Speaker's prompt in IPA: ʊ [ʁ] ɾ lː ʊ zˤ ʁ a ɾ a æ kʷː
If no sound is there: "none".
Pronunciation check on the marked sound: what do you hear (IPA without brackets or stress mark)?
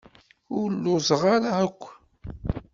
none